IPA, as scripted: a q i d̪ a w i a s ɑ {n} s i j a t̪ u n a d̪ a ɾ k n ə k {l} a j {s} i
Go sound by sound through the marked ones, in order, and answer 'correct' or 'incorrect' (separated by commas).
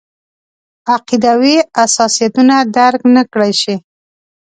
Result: incorrect, incorrect, incorrect